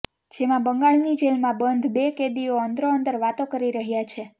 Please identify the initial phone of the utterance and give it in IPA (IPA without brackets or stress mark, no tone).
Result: d͡ʒ